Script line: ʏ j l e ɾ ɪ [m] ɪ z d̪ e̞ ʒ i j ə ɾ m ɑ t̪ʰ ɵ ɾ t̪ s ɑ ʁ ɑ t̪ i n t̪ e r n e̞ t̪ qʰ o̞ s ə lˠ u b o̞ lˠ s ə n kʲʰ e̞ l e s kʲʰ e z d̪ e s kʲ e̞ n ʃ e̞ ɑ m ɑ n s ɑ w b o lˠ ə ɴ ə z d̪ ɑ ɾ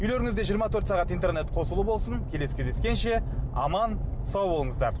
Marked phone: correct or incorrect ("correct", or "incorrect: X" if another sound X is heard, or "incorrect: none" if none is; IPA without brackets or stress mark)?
incorrect: ŋ